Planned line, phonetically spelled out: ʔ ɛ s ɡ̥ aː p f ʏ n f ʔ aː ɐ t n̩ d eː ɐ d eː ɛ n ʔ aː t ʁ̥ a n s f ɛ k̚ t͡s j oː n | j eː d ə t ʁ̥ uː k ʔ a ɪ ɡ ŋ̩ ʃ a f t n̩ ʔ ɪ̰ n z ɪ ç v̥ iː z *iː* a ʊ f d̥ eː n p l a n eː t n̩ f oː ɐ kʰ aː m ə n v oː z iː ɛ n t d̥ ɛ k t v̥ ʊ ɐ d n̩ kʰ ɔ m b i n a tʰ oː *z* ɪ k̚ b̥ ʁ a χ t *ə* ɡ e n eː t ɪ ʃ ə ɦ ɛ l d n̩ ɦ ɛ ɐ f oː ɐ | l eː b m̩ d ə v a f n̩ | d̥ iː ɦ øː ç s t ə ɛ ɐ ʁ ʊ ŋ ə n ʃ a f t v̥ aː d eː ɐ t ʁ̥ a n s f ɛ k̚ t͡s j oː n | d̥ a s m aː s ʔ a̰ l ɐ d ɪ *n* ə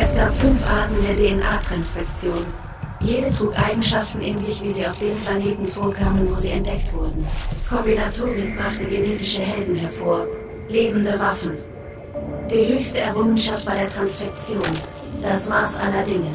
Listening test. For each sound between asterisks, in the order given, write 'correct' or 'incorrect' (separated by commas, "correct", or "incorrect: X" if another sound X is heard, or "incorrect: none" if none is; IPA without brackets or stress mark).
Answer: correct, incorrect: ʁ, correct, incorrect: ŋ